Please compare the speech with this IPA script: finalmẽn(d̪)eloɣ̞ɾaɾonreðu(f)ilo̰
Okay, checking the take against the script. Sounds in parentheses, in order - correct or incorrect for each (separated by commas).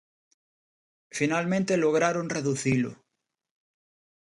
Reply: incorrect, incorrect